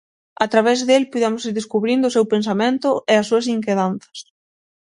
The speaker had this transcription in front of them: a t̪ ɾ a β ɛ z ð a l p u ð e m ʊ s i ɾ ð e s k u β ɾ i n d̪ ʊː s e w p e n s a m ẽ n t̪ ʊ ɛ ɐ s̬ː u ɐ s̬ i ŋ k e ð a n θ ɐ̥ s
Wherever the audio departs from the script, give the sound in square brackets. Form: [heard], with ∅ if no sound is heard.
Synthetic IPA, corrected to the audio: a t̪ ɾ a β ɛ z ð [e] l p u ð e m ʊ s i ɾ ð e s k u β ɾ i n d̪ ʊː s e w p e n s a m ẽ n t̪ ʊ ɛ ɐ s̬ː u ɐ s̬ i ŋ k e ð a n θ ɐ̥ s